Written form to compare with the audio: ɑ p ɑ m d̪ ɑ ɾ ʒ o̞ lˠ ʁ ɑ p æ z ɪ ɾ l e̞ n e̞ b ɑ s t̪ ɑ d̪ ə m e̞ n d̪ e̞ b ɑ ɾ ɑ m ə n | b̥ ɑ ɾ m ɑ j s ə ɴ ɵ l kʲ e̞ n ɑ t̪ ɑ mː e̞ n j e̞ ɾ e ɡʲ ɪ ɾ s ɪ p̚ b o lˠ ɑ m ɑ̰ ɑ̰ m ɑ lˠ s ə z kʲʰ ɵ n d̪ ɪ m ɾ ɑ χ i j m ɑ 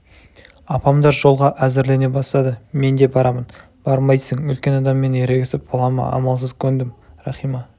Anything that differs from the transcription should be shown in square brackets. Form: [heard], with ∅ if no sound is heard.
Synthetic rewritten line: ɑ p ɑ m d̪ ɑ ɾ ʒ o̞ lˠ ʁ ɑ [ʔ] æ z ɪ ɾ l e̞ n e̞ b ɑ s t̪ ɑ d̪ ə m e̞ n d̪ e̞ b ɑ ɾ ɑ m ə n | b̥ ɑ ɾ m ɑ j s ə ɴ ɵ l kʲ e̞ n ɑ [d̪] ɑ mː e̞ n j e̞ ɾ e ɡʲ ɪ [∅] s ɪ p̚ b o lˠ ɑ m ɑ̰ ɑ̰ m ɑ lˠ s ə z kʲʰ ɵ n d̪ ɪ m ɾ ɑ χ i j m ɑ